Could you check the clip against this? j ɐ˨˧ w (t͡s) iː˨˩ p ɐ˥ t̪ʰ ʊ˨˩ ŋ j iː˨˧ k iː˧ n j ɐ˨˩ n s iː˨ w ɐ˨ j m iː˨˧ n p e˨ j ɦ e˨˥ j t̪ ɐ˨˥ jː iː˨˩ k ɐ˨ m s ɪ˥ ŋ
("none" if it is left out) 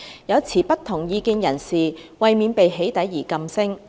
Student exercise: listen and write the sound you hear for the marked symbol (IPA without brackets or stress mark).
t͡sʰ